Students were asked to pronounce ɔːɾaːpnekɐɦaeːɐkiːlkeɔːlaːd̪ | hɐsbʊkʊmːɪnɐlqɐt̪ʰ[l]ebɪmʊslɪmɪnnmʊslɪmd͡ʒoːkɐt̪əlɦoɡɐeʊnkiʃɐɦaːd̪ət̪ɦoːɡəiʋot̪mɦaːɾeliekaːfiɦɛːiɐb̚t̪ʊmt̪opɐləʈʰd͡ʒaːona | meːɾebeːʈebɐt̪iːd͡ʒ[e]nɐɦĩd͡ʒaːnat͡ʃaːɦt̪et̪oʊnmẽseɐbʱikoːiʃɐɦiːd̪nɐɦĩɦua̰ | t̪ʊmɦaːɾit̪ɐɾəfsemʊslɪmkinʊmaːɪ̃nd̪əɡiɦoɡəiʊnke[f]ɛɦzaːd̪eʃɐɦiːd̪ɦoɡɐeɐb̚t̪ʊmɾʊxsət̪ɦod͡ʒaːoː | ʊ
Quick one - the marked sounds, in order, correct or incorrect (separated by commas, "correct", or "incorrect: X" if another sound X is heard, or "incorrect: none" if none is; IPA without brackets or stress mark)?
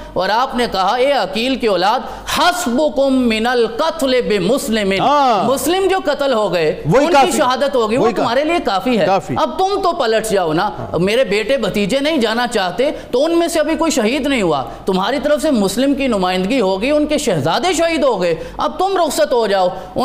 correct, correct, incorrect: ʃ